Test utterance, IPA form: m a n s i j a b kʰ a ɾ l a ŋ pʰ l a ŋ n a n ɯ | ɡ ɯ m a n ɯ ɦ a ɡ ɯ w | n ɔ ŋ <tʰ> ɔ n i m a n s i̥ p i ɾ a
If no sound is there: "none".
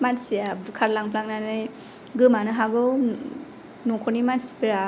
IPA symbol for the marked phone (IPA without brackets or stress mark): kʰ